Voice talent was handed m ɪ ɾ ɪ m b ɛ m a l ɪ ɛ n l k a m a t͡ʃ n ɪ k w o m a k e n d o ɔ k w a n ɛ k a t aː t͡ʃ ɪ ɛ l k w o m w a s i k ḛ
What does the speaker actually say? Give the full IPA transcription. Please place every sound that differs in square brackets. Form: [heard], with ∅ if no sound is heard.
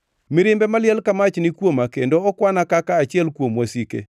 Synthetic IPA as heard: m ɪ ɾ ɪ m b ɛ m a l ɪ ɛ [∅] l k a m a t͡ʃ n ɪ k w o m a k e n d o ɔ k w a n [a] k a [k] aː t͡ʃ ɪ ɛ l k w o m w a s i k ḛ